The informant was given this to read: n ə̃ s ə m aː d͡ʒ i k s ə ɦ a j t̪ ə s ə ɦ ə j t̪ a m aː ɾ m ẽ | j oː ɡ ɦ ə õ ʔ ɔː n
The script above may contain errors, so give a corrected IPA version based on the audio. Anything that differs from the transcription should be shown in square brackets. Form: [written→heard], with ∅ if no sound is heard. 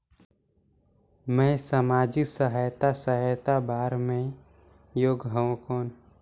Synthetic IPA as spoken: [n→m] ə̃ s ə m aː d͡ʒ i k s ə ɦ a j t̪ [ə→a] s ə ɦ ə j t̪ a [m→b] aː ɾ m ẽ | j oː ɡ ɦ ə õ [ʔ→k] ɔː n